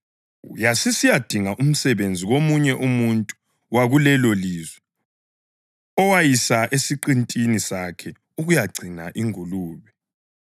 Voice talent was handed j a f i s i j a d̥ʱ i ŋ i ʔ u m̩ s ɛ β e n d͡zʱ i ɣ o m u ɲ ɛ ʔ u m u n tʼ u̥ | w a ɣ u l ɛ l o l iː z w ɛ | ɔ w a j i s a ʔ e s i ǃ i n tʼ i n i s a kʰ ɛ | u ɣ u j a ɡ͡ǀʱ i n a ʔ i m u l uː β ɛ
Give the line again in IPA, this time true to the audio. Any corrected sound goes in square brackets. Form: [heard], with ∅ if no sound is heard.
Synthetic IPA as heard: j a [s] i s i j a d̥ʱ i ŋ [a] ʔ u m̩ s ɛ β e n d͡zʱ i ɣ o m u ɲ ɛ ʔ u m u n tʼ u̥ | w a ɣ u l ɛ l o l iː z w ɛ | ɔ w a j i s a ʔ e s i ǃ i n tʼ i n i s a kʰ ɛ | u ɣ u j a ɡ͡ǀʱ i n a ʔ i [ŋ] u l uː β ɛ